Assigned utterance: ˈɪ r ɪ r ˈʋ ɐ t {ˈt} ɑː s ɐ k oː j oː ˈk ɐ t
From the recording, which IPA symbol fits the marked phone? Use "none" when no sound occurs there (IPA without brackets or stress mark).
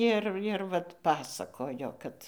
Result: p